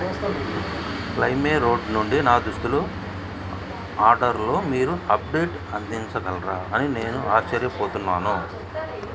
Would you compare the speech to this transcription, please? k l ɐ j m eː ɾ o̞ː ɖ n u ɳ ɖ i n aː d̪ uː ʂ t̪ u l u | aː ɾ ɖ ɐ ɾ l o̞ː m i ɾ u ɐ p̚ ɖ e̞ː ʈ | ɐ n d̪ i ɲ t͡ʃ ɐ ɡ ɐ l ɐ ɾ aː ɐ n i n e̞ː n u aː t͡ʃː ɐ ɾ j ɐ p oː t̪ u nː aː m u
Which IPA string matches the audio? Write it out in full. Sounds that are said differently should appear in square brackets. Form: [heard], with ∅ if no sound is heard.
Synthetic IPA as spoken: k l ɐ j m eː ɾ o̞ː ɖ n u ɳ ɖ i n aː d̪ [u] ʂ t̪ u l u | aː ɾ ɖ ɐ ɾ l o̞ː m [iː] ɾ u ɐ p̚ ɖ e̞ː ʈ | ɐ n d̪ i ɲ t͡ʃ ɐ ɡ ɐ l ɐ ɾ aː ɐ n i n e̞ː n u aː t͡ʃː ɐ ɾ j ɐ p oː t̪ u nː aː [n] u